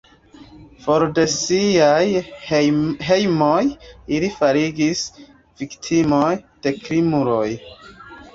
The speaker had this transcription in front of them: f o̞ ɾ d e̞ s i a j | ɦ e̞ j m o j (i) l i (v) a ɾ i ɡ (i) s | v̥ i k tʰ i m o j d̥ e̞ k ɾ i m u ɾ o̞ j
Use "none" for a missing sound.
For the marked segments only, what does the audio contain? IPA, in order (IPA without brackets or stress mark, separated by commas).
i, f, i